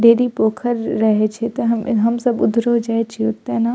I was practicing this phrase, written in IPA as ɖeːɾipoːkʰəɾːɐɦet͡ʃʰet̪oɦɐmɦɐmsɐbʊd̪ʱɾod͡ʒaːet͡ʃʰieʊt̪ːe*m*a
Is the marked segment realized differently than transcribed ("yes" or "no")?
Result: yes